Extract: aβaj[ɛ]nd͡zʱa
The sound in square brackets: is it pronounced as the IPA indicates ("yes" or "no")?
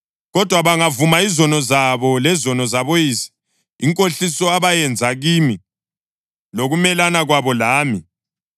yes